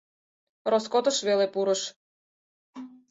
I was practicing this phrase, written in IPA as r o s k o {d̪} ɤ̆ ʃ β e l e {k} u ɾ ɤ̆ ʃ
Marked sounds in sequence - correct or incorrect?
incorrect: t̪, incorrect: p

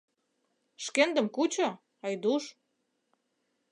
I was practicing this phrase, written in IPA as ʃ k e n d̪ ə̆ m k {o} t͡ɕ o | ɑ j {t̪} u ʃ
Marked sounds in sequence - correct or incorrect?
incorrect: u, incorrect: d̪

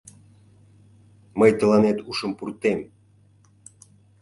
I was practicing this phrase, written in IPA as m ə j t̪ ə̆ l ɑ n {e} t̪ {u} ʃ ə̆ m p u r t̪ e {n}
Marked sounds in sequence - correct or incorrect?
correct, correct, incorrect: m

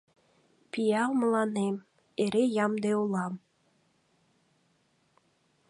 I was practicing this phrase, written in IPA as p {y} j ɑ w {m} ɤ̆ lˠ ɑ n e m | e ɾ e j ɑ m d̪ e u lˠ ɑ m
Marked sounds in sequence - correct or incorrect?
incorrect: i, correct

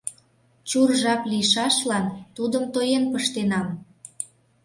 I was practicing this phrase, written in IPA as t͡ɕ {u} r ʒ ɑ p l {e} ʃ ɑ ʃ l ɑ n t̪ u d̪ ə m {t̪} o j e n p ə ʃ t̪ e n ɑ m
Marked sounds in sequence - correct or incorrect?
correct, incorrect: i, correct

